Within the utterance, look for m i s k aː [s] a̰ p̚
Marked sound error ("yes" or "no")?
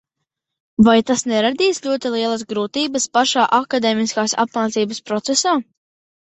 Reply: no